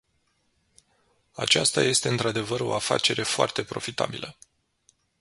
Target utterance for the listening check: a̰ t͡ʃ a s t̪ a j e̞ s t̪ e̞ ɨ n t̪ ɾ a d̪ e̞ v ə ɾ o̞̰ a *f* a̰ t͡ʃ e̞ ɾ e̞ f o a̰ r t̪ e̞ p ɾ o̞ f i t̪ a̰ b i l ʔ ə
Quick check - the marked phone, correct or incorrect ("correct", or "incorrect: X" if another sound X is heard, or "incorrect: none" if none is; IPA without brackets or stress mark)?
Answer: correct